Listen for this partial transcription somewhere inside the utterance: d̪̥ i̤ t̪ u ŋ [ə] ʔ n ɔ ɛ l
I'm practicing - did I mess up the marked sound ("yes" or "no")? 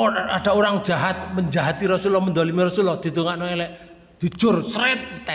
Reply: yes